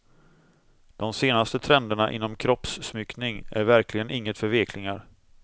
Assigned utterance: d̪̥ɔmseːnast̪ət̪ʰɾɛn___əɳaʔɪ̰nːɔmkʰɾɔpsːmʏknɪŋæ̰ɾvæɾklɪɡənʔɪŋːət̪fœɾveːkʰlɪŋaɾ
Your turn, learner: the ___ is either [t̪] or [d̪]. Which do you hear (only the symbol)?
d̪